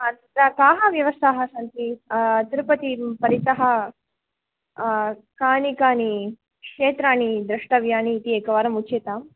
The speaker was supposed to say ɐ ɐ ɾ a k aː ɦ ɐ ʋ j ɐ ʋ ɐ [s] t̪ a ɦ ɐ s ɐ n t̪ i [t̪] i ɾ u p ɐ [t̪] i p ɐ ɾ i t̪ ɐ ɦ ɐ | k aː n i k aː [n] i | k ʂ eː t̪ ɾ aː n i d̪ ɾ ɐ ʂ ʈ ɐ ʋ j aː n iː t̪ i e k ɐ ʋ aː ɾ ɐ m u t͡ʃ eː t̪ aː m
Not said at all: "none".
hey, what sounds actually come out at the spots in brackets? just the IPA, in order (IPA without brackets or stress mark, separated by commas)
s, t̪, t̪, n